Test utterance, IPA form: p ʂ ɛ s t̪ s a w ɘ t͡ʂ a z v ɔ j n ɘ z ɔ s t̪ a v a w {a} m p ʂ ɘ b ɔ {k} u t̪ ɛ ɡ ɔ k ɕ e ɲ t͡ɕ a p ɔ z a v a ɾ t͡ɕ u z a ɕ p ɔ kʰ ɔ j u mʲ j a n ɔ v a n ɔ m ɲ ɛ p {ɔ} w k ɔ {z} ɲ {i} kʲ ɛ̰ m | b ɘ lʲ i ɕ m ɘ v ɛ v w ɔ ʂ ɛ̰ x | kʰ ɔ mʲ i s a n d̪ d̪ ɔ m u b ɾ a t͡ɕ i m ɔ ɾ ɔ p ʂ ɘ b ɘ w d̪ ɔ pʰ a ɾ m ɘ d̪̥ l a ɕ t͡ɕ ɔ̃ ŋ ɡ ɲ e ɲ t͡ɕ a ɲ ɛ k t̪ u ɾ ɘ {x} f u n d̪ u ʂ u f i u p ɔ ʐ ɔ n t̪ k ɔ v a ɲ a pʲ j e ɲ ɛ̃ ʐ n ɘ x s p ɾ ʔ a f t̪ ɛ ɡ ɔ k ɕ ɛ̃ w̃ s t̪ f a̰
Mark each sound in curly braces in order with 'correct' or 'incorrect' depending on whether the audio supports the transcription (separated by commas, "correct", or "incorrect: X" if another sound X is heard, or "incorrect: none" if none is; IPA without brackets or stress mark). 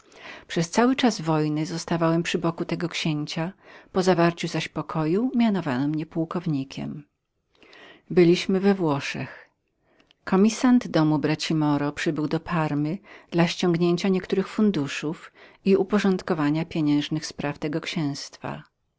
incorrect: ɛ, correct, incorrect: u, incorrect: v, correct, correct